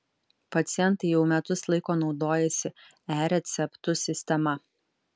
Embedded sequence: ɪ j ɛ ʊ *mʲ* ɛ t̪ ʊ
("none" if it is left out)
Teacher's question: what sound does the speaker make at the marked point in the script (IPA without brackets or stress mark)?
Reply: mʲ